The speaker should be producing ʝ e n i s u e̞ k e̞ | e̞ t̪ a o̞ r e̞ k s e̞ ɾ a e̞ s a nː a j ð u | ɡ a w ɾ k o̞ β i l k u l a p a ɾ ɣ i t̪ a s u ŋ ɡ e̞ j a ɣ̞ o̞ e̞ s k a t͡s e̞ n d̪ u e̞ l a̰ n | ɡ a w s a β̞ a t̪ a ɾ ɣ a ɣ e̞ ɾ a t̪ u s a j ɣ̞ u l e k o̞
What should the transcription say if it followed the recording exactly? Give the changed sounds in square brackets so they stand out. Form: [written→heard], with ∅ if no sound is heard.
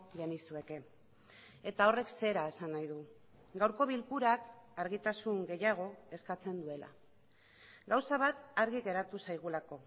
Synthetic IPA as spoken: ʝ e n i s u e̞ k e̞ | e̞ t̪ a o̞ r e̞ k s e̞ ɾ a e̞ s a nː a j ð u | ɡ a w ɾ k o̞ β i l k u [l→ɾ] a [p→k] a ɾ ɣ i t̪ a s u ŋ ɡ e̞ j a ɣ̞ o̞ e̞ s k a t͡s e̞ n d̪ u e̞ l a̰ [n→∅] | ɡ a w s a β̞ a t̪ a ɾ ɣ [a→i] ɣ e̞ ɾ a t̪ u s a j ɣ̞ u l [e→a] k o̞